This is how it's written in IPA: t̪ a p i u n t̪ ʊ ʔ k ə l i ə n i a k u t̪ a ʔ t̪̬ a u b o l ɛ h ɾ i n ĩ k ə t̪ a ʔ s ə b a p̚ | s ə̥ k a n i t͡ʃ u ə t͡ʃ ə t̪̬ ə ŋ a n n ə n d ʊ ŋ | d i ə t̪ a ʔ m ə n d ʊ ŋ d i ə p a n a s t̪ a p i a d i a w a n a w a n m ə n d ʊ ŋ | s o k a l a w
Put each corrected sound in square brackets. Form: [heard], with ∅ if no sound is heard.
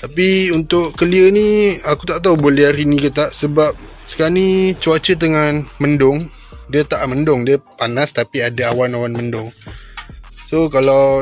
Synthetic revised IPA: t̪ a p i u n t̪ ʊ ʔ k ə l i ə n i a k u t̪ a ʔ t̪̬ a u b o l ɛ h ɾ i n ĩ k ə t̪ a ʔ s ə b a p̚ | s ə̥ k a n i t͡ʃ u [a] t͡ʃ ə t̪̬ ə ŋ a n [m] ə n d ʊ ŋ | d i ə t̪ a ʔ m ə n d ʊ ŋ d i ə p a n a s t̪ a p i a d [a] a w a n a w a n m ə n d ʊ ŋ | s o k a l a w